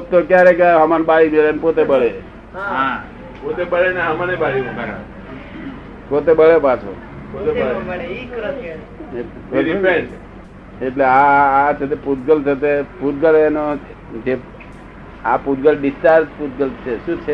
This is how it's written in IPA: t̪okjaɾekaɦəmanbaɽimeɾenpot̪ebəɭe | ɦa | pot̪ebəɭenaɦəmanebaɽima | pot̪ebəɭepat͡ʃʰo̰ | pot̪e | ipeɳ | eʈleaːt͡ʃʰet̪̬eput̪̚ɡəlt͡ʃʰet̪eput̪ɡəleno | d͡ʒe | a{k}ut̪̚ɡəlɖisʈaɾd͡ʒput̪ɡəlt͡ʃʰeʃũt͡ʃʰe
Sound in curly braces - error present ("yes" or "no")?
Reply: yes